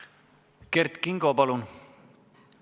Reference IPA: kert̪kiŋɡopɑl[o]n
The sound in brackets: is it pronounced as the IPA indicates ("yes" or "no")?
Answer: no